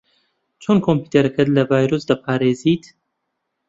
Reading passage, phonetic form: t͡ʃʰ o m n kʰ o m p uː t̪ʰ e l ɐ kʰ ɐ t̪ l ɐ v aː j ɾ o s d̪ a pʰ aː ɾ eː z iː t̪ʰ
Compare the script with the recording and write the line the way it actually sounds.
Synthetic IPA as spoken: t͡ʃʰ o n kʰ o m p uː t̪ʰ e ɾ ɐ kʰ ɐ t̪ l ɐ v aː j ɾ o s d̪ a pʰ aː ɾ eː z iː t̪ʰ

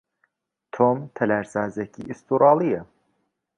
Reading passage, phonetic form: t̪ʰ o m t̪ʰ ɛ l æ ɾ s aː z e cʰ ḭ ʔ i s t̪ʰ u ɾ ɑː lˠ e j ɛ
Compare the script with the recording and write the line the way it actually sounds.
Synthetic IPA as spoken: t̪ʰ o m t̪ʰ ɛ l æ ɾ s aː z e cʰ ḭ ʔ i s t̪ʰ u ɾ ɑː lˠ i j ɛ

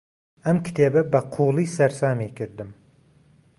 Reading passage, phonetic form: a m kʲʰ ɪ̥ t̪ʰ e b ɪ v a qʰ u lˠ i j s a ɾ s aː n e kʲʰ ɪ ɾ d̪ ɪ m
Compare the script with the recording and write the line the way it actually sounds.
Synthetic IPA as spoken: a m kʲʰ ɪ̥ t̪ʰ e b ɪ b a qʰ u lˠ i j s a ɾ s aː m e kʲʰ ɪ ɾ d̪ ɪ m

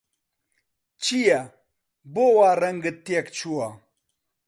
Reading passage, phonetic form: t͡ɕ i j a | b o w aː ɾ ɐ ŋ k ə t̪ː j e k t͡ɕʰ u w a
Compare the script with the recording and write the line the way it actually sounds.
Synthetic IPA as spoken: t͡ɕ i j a | b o w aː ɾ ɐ ŋ ɡ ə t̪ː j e k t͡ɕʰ u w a

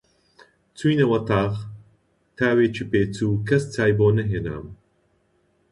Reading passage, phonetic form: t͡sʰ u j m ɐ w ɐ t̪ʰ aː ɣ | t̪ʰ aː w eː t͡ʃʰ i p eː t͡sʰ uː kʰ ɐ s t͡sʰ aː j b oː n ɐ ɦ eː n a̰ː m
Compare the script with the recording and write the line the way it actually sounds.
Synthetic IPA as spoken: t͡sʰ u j n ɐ w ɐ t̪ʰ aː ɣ | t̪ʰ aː w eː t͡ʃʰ i p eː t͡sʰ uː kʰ ɐ s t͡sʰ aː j b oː n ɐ ɦ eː n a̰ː m

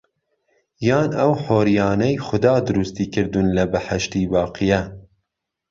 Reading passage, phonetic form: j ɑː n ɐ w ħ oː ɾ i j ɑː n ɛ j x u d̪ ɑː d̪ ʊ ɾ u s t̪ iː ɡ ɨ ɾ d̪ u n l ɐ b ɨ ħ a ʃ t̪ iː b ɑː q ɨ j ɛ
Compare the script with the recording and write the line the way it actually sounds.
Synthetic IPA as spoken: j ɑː n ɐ w ħ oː ɾ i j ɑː n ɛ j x ʊ d̪ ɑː d̪ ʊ ɾ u s t̪ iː k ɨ ɾ d̪ u n l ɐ b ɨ ħ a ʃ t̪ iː b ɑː q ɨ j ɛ

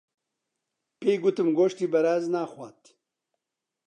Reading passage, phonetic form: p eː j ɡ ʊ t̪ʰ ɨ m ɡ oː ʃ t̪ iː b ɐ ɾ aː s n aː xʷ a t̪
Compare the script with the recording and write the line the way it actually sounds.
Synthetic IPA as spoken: p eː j ɡ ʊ t̪ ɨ m ɡ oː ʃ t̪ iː b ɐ ɾ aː z n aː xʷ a t̪

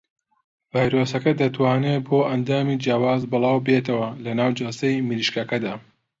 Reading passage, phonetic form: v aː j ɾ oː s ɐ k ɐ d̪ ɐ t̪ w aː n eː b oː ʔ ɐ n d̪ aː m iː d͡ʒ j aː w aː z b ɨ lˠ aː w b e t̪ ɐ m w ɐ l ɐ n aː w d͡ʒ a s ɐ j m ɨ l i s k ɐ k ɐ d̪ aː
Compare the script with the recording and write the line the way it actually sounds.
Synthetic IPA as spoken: v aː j ɾ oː s ɐ k ɐ d̪ ɐ t̪ w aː n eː b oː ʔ ɐ n d̪ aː m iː d͡ʒ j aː w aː z b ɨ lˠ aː w b e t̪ ɐ w ɐ l ɐ n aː w d͡ʒ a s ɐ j m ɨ l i ʃ k ɐ k ɐ d̪ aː

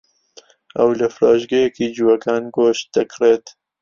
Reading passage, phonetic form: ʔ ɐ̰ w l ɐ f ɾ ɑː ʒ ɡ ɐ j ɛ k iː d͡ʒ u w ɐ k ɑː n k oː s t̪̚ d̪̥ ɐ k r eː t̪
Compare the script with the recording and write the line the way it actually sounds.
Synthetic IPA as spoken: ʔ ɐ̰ w l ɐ f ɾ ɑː ʒ ɡ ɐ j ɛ k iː d͡ʒ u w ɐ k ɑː n ɡ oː ʃ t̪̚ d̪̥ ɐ k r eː t̪

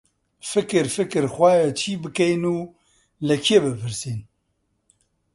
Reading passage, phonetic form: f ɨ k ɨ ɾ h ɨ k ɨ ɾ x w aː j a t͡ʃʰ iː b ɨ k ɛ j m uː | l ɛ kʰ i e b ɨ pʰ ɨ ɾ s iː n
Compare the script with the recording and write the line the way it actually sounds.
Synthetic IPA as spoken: f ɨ k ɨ ɾ f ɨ k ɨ ɾ x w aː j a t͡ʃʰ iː b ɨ k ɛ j n uː | l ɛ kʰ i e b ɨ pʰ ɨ ɾ s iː n

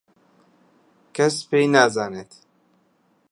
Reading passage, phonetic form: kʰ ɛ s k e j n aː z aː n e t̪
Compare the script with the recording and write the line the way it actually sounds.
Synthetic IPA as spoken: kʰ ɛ s p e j n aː z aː n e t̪

